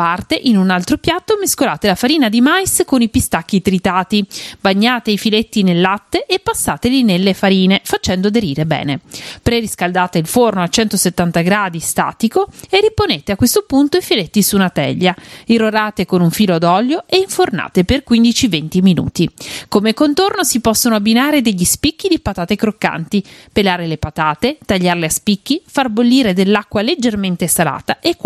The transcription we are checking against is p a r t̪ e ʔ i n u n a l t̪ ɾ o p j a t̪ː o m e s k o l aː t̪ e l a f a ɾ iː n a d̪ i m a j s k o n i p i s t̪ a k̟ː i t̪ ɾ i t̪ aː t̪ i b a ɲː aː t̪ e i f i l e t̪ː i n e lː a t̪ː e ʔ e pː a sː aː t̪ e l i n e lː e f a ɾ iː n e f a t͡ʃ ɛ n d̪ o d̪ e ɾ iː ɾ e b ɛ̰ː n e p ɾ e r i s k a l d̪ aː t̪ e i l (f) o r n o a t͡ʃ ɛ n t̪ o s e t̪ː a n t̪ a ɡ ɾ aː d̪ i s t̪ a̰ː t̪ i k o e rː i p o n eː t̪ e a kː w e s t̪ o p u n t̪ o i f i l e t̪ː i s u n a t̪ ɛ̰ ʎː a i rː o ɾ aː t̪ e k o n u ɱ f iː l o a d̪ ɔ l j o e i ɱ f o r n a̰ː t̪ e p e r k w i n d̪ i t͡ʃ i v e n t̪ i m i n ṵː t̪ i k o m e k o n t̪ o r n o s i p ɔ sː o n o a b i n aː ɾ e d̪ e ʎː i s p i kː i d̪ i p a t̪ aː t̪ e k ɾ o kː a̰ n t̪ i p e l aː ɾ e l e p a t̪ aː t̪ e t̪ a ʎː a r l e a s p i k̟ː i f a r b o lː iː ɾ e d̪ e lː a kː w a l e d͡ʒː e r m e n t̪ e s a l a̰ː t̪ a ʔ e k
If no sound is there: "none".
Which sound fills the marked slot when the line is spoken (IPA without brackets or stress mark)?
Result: f